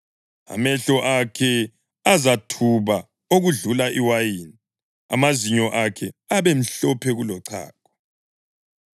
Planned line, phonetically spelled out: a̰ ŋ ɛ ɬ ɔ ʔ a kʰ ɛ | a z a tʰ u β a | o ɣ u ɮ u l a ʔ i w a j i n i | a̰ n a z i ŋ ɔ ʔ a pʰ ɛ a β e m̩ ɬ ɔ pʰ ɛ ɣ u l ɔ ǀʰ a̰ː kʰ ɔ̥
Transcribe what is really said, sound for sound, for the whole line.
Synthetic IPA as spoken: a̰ m ɛ ɬ ɔ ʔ a kʰ ɛ | a z a tʰ u β a | o ɣ u ɮ u l a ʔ i w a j i n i | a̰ m a z i ɲ ɔ ʔ a kʰ ɛ a β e m̩ ɬ ɔ pʰ ɛ ɣ u l ɔ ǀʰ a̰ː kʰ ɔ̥

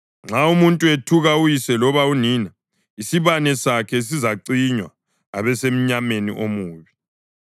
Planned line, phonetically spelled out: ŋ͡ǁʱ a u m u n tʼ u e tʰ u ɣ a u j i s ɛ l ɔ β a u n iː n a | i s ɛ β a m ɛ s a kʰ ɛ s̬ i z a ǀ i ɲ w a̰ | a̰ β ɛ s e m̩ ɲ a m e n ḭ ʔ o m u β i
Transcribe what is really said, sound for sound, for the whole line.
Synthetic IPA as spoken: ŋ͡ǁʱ a u m u n tʼ u e tʰ u ɣ a u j i s ɛ l ɔ β a u n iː n a | i s i β a n ɛ s a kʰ ɛ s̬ i z a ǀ i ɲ w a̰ | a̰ β ɛ s e m̩ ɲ a m e n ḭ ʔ o m uː β i

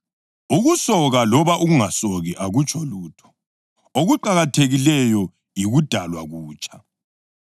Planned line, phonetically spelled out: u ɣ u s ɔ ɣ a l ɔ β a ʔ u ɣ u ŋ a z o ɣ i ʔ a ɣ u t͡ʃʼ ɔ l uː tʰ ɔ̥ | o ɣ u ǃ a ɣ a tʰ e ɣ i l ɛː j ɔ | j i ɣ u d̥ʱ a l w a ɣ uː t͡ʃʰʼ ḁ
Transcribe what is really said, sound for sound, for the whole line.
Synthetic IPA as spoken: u ɣ u s ɔ ɣ a l ɔ β a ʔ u ɣ u ŋ a s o ɣ i ʔ a ɣ u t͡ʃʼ ɔ l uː tʰ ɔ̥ | o ɣ u ǃ a ɣ a tʰ e ɣ i l ɛ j ɔ | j i ɣ u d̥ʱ a l w a ɣ uː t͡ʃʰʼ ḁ

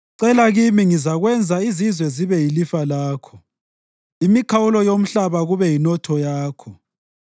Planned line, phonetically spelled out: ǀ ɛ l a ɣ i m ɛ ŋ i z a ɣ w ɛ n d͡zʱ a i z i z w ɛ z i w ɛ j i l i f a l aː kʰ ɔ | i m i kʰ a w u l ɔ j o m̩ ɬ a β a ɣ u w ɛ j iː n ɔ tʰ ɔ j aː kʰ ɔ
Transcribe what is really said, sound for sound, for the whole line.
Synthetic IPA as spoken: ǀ ɛ l a ɣ i m i ŋ i z a ɣ w ɛ n d͡zʱ a i z i z w ɛ z i β ɛ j i l i f a l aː kʰ ɔ | i m i kʰ a w u l ɔ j o m̩ ɬ a β a ɣ u β ɛ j i n ɔ tʰ ɔ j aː kʰ ɔ

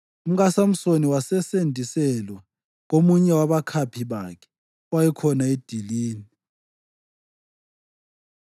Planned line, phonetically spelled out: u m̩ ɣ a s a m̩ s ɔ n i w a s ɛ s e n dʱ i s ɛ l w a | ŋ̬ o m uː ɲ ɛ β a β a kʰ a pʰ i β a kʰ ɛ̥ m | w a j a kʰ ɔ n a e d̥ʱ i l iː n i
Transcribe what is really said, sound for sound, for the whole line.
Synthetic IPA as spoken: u m̩ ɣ a s a m̩ s o n i w a s ɛ s e n dʱ i s ɛ l w a | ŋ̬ o m u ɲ ɛ w a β a kʰ a pʰ i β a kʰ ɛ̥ | w a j ɛ kʰ ɔ n a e d̥ʱ i l iː n i

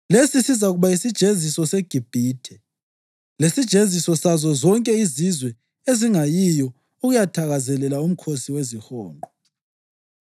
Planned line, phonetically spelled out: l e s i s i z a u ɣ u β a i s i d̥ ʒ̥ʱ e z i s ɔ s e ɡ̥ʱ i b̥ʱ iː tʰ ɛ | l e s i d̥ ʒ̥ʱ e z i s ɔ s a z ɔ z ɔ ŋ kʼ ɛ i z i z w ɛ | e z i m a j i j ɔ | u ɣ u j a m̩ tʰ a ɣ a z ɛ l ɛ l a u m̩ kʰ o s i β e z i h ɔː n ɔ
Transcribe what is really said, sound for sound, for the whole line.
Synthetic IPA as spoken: l e s i s i z a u ɣ u β a i s i d̥ ʒ̥ʱ e z i s ɔ s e ɡ̥ʱ i b̥ʱ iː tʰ ɛ | l e s i d̥ ʒ̥ʱ e z i s ɔ s a z ɔ z ɔ ŋ kʼ ɛ i z i z w ɛ | e z i ŋ a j i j ɔ | u ɣ u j a tʰ a ɣ a z ɛ l ɛ l a u m̩ kʰ o s i w e z i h ɔː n ɔ

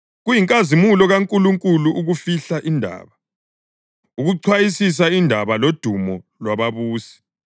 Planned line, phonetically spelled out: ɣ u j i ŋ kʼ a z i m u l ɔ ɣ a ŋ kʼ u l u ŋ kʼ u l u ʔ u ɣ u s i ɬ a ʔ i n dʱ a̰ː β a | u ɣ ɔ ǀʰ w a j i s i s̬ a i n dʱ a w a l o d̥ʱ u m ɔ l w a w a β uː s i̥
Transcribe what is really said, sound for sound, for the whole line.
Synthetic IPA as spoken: ɣ u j i ŋ kʼ a z i m u l ɔ ɣ a ŋ kʼ u l u ŋ kʼ u l u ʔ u ɣ u f i ɬ a ʔ i n dʱ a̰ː β a | u ɣ u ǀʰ w a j i s i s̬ a i n dʱ a β a l o d̥ʱ u m ɔ l w a β a β uː s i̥

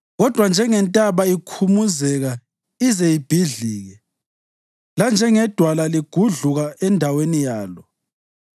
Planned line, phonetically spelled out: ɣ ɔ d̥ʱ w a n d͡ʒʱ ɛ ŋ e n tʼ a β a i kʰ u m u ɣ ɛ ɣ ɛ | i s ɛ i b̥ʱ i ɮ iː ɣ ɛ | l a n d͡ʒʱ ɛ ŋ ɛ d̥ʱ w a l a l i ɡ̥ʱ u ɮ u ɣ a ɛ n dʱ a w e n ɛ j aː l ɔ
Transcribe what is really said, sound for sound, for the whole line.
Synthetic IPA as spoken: ɣ ɔ d̥ʱ w a n d͡ʒʱ ɛ ŋ ɛ n tʼ a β a i kʰ u m u z ɛ ɣ a | i z ɛ i b̥ʱ i ɮ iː ɣ ɛ | l a n d͡ʒʱ ɛ ŋ ɛ d̥ʱ w a l a l i ɡ̥ʱ u ɮ u ɣ a ɛ n dʱ a w e n i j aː l ɔ

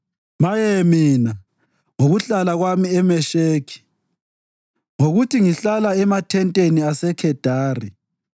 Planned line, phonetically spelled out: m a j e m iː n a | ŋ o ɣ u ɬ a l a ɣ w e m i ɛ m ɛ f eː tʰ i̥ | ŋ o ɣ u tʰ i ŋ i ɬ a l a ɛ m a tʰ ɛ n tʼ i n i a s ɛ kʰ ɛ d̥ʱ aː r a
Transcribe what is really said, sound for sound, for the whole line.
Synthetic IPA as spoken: m a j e m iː n a | ŋ o ɣ u ɬ a l a ɣ w a m i ɛ m ɛ ʃ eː kʰ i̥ | ŋ o ɣ u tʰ i ŋ i ɬ a l a ɛ m a tʰ ɛ n tʼ e n i a s ɛ kʰ ɛ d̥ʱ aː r i

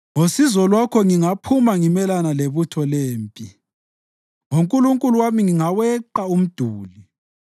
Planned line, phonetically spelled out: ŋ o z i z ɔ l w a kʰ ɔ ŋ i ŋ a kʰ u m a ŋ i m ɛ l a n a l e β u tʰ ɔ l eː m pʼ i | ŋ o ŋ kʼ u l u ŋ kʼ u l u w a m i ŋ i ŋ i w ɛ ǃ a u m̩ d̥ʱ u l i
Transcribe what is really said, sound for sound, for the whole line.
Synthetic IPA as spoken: ŋ o s i z ɔ l w a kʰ ɔ ŋ i ŋ a pʰ u m a ŋ i m ɛ l a n a l e β u tʰ ɔ l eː m pʼ i | ŋ o ŋ kʼ u l u ŋ kʼ u l u w a m i ŋ i ŋ a w ɛ ǃ a u m̩ d̥ʱ uː l i

